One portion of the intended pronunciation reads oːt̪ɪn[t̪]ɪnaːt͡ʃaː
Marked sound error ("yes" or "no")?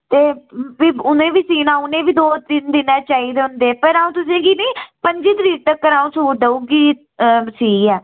yes